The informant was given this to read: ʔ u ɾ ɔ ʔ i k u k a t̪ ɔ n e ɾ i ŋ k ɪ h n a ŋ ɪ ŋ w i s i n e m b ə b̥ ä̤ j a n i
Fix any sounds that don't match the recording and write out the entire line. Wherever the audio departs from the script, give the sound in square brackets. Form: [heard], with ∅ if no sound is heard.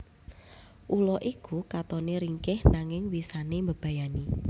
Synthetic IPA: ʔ u [l] ɔ ʔ i k u k a t̪ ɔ n e ɾ i ŋ k ɪ h n a ŋ ɪ ŋ w i s [a] n e m b ə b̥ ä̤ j a n i